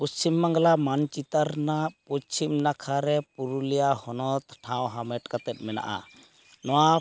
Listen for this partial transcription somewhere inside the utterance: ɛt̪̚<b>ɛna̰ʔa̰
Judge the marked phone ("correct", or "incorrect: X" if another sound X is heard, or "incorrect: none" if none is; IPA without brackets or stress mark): incorrect: m